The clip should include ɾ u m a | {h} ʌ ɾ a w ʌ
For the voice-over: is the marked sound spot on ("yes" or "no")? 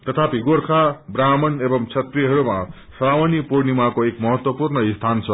no